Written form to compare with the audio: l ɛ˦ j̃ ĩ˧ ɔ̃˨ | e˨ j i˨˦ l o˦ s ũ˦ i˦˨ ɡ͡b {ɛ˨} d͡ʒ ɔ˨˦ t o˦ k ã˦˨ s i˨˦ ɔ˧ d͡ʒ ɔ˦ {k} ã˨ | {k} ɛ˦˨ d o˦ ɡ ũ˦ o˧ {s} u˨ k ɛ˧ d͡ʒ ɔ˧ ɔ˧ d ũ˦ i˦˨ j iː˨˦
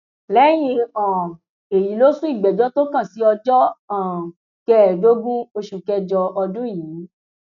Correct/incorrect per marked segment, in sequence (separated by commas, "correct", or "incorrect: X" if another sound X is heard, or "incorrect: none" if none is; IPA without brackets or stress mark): correct, incorrect: none, correct, incorrect: ʃ